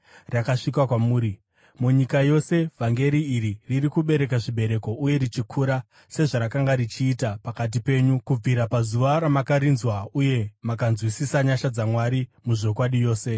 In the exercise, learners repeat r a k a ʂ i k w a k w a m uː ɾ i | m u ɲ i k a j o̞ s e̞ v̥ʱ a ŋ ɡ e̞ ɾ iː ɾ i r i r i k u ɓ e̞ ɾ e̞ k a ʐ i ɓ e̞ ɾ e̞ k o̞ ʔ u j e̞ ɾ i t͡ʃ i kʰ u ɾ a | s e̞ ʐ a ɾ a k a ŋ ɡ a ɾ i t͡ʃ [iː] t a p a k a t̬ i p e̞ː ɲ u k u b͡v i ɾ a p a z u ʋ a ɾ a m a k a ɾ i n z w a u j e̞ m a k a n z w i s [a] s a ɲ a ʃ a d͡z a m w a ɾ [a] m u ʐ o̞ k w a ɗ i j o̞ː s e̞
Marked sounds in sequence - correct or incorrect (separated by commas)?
correct, incorrect, incorrect